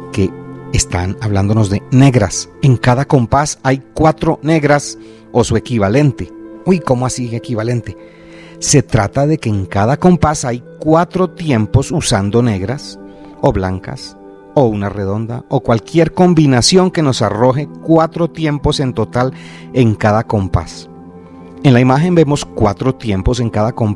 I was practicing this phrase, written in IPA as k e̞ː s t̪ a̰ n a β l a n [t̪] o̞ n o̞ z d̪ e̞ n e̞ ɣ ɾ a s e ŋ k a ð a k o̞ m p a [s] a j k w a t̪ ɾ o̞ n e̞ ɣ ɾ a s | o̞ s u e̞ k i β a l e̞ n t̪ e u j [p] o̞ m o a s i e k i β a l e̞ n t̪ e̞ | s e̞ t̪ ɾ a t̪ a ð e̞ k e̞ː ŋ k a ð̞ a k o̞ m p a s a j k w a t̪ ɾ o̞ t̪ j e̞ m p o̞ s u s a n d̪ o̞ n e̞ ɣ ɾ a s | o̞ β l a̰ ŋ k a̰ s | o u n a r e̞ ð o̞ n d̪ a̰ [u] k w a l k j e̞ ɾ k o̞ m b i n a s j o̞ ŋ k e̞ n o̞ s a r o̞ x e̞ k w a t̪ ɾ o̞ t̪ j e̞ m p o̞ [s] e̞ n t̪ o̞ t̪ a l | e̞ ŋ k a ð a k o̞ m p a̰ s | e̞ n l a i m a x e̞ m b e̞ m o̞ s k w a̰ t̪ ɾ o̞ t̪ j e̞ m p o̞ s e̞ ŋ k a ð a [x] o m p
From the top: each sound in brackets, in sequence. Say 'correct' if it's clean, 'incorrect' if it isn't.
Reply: incorrect: d̪, correct, incorrect: k, incorrect: o, correct, incorrect: k

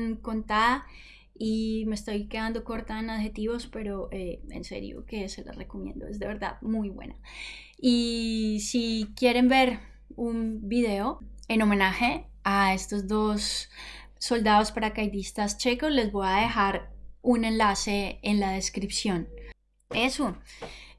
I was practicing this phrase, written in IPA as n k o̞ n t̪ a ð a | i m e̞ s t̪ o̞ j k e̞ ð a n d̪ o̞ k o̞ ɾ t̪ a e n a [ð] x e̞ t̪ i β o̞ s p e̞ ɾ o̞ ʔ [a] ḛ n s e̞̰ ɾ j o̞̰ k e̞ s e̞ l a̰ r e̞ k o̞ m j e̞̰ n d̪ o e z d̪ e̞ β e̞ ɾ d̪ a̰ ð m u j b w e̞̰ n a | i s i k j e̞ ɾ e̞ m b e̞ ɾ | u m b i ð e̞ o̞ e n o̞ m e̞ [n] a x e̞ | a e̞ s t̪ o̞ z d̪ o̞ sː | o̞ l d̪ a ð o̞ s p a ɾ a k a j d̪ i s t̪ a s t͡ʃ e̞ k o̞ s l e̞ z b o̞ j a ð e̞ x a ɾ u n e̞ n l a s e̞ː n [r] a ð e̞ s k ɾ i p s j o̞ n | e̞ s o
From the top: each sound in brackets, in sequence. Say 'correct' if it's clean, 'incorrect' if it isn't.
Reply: correct, incorrect: e, correct, incorrect: l

